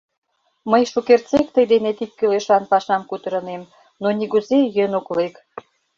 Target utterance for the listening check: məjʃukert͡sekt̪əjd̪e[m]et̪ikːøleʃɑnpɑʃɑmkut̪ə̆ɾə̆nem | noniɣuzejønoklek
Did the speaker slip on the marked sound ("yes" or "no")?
yes